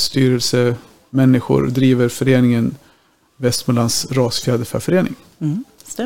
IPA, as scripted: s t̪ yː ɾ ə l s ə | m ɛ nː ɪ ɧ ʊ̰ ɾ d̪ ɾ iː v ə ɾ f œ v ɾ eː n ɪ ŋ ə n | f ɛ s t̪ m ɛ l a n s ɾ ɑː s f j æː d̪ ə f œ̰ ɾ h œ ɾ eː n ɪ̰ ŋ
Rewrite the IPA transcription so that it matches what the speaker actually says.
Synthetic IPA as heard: s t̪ yː ɾ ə l s ə | m ɛ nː ɪ ɧ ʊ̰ ɾ d̪ ɾ iː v ə ɾ f œ ɾ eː n ɪ ŋ ə n | v ɛ s t̪ m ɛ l a n s ɾ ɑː s f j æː d̪ ə f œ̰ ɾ f œ ɾ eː n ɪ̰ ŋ